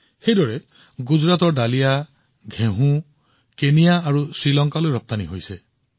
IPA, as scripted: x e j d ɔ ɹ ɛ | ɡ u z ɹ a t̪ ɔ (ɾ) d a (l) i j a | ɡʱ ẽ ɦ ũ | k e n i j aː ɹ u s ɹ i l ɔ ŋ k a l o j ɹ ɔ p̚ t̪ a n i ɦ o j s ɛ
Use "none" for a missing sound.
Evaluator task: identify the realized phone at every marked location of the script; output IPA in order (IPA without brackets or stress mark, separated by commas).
ɹ, l